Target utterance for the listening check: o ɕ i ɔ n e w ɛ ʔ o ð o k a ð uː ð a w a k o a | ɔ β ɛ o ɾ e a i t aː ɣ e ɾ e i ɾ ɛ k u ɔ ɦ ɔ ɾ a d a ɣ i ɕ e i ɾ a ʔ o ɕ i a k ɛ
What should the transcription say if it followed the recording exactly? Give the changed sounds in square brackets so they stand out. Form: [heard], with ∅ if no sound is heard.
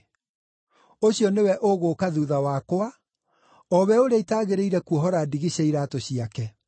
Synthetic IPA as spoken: o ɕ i ɔ n e w ɛ ʔ o [ɣ] o k a ð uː ð a w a k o a | ɔ β ɛ o ɾ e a i t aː ɣ e ɾ e i ɾ ɛ k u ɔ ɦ ɔ ɾ a d [i] ɣ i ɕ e i ɾ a [t] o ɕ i a k ɛ